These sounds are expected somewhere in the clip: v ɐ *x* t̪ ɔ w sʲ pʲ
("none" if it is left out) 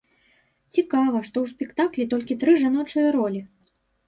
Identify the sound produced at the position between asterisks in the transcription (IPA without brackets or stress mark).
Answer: ʂ